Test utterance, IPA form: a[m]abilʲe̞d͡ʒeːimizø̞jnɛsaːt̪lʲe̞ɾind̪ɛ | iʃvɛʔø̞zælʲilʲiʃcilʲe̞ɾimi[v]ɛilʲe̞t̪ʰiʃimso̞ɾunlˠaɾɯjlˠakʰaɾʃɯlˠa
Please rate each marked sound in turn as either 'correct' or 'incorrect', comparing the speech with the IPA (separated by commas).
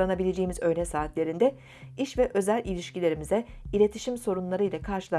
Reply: incorrect, incorrect